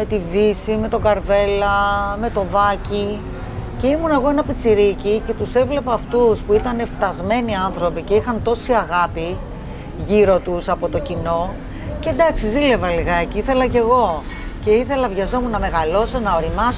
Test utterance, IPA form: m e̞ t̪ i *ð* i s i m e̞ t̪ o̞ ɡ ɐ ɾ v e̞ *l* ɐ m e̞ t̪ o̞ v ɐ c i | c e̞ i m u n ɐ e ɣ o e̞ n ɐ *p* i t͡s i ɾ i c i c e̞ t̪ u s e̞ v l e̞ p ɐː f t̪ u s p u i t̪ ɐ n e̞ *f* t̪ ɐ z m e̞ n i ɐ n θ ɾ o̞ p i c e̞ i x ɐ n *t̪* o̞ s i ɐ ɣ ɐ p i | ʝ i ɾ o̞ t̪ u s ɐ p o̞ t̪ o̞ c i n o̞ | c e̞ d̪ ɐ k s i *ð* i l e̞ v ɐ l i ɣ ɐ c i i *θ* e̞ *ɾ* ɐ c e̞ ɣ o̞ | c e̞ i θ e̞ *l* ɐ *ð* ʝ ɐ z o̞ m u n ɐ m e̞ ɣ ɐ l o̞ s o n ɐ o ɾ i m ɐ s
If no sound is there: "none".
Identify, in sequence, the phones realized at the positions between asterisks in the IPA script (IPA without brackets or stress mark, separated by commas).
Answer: v, l, p, f, t̪, z, θ, l, l, v